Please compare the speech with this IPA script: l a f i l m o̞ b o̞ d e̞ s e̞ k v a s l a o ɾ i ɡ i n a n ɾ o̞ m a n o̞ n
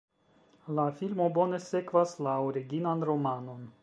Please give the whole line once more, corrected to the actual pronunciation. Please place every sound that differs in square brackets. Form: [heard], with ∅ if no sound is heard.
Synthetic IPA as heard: l a f i l m o̞ b o̞ [n] e̞ s e̞ k v a s l a o ɾ i ɡ i n a n ɾ o̞ m a n o̞ n